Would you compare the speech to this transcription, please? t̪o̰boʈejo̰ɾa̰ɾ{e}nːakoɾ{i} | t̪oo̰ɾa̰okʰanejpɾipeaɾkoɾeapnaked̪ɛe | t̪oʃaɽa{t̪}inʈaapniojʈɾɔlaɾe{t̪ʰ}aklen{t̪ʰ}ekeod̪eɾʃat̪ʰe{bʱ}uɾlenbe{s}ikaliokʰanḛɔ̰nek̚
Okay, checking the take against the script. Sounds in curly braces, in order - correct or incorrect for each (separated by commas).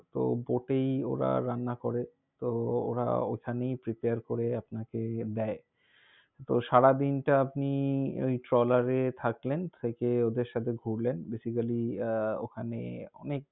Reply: incorrect, incorrect, incorrect, correct, correct, incorrect, correct